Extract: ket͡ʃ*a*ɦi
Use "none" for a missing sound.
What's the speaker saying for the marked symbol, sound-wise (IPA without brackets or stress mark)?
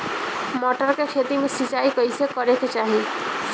a